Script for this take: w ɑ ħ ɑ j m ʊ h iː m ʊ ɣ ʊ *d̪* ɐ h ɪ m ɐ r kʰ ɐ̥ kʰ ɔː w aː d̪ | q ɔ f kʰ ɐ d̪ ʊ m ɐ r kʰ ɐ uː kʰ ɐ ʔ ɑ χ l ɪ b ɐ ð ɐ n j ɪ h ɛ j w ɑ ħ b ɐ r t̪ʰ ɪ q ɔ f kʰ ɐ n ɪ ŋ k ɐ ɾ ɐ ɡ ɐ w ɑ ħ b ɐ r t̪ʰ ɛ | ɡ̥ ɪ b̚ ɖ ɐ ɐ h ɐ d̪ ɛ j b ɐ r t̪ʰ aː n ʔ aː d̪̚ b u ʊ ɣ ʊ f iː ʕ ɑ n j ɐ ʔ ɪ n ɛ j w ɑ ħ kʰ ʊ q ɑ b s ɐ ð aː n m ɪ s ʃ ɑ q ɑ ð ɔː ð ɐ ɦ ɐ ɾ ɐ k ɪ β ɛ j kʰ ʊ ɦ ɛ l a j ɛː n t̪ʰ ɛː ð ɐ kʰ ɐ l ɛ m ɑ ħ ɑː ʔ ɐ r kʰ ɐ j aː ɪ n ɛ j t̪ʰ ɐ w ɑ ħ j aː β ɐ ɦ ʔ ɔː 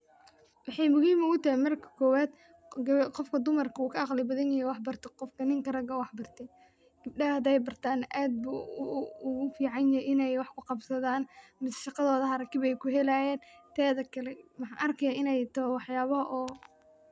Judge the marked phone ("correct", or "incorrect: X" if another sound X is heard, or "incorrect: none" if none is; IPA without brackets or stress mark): incorrect: t̪